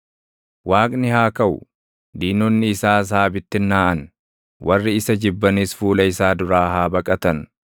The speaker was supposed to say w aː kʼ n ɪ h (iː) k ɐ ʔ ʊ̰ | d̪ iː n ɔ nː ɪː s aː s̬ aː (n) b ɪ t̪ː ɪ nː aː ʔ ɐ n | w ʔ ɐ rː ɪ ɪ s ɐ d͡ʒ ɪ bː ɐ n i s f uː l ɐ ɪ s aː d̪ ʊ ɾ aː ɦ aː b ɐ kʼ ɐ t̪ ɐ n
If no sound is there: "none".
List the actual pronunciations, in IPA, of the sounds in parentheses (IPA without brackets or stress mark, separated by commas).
aː, none